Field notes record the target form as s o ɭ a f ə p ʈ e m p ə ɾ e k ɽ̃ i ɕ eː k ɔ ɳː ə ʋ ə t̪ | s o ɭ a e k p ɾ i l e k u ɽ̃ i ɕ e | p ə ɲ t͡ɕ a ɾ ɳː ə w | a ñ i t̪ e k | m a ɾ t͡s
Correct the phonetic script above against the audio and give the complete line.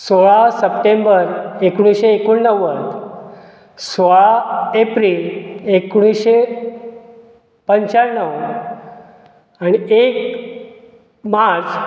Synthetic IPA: s o ɭ a s ə p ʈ e m b ə ɾ e k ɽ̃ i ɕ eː k u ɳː ə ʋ ə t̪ | s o ɭ a e p ɾ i l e k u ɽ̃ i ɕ e | p ə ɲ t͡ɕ a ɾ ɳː ə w | a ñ i e k | m a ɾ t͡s

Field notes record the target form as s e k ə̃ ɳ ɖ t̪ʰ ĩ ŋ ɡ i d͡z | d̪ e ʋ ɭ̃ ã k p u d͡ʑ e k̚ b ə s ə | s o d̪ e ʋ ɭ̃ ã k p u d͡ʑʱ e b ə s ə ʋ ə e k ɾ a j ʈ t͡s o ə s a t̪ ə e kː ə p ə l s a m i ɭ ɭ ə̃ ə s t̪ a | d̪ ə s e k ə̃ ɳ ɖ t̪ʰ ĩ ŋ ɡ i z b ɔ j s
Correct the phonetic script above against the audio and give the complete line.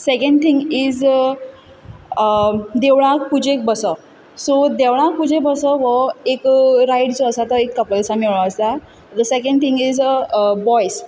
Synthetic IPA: s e k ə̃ ɳ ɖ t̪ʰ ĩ ŋ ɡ i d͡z | d̪ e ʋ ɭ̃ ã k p u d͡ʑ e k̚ b ə s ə | s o d̪ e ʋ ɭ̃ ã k p u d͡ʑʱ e b ə s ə ʋ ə e k ɾ a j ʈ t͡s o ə s a t̪ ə e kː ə p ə l s a m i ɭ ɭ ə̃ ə s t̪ a | d̪ ə s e k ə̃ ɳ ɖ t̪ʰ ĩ ŋ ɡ i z b ɔ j s

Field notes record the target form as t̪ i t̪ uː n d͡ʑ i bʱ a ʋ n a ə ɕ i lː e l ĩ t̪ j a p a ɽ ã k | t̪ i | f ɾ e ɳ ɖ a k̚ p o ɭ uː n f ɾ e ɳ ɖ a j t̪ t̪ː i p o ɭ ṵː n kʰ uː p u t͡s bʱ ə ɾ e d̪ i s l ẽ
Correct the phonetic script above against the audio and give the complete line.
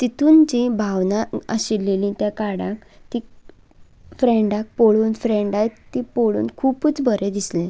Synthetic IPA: t̪ i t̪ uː n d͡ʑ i bʱ a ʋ n a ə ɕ i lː e l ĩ t̪ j a k a ɽ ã k | t̪ i | f ɾ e ɳ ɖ a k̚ p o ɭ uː n f ɾ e ɳ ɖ a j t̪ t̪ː i p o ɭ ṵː n kʰ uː p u t͡s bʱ ə ɾ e d̪ i s l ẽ

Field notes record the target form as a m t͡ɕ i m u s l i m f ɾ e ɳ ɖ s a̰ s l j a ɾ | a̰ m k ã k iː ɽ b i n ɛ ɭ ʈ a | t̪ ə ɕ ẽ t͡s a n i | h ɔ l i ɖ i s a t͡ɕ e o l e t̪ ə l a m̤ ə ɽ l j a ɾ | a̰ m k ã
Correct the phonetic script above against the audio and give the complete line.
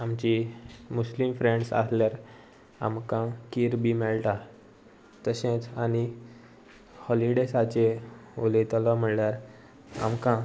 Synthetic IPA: a m t͡ɕ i m u s l i m f ɾ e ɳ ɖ s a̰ s l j a ɾ | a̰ m k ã k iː ɾ b i m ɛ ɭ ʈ a | t̪ ə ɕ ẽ t͡s a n i | h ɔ l i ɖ e s a t͡ɕ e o l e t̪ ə l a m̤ ə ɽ l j a ɾ | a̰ m k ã

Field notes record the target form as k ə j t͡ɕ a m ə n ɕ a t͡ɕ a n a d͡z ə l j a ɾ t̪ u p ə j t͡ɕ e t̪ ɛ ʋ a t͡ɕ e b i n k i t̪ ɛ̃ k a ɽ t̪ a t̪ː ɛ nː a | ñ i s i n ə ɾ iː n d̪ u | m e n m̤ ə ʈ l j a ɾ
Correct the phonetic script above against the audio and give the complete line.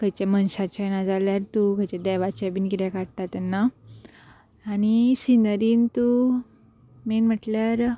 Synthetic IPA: k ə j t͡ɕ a m ə n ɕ a t͡ɕ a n a d͡z a l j a ɾ t̪ u k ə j t͡ɕ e d̪ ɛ ʋ a t͡ɕ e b i n k i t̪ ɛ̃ k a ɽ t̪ a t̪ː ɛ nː a | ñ i s i n ə ɾ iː n t̪ u | m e n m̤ ə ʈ l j a ɾ

